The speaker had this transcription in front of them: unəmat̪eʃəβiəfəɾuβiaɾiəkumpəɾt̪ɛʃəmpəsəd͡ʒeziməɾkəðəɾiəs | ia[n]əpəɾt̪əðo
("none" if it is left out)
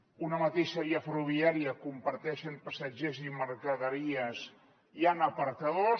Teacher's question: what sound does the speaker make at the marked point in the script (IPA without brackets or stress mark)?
n